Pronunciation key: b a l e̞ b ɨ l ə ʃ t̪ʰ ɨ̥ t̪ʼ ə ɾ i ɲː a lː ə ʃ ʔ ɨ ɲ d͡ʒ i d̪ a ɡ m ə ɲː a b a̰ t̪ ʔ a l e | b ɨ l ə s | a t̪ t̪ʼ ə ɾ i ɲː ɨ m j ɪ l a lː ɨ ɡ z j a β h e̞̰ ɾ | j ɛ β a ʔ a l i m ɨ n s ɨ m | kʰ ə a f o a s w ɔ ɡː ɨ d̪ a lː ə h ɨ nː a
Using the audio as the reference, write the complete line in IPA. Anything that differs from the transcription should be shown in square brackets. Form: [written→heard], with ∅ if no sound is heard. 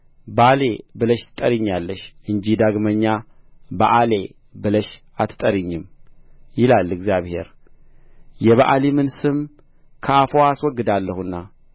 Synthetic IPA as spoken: b a l e̞ b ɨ l ə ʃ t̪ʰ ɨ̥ t̪ʼ ə ɾ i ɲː a lː ə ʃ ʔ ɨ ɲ d͡ʒ i d̪ a ɡ m ə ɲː a b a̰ [t̪→∅] ʔ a l e | b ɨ l ə [s→ʃ] | a t̪ t̪ʼ ə ɾ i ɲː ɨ m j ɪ l a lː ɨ ɡ z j a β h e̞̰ ɾ | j ɛ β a ʔ a l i m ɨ n s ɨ m | kʰ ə a f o a s w ɔ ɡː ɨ d̪ a lː ə h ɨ nː a